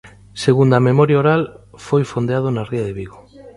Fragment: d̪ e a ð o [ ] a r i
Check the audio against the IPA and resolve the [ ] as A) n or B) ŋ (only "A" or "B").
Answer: A